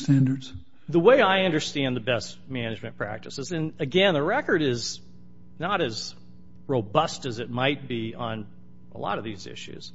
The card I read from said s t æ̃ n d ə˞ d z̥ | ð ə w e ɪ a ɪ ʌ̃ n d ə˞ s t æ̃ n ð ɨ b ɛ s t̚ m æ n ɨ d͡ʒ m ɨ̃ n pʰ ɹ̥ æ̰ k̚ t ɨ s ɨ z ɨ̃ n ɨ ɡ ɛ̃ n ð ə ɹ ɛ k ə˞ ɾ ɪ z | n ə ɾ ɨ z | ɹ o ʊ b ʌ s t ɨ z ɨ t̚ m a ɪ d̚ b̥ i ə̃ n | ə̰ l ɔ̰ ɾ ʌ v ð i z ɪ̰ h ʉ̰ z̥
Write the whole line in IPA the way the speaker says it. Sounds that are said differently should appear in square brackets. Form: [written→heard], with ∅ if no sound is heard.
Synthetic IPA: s t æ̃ n d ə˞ d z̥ | ð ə w e ɪ a ɪ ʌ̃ n d ə˞ s t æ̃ n ð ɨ b ɛ s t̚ m æ n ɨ d͡ʒ m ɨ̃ n pʰ ɹ̥ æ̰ k̚ t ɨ s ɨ z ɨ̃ n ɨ ɡ ɛ̃ n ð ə ɹ ɛ k ə˞ ɾ ɪ z | n ə ɾ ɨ z | ɹ o ʊ b ʌ s t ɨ z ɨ t̚ m a ɪ [d̚→t̚] b̥ i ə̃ n | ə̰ l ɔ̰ ɾ ʌ v ð i z ɪ̰ [h→ʃ] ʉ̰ z̥